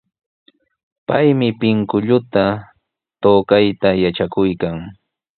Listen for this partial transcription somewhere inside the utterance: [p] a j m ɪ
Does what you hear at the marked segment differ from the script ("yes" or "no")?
no